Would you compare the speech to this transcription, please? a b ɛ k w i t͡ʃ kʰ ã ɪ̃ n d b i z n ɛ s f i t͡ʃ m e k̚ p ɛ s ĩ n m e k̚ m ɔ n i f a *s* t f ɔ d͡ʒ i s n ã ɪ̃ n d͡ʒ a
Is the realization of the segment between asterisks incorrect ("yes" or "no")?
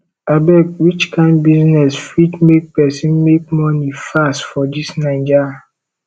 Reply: no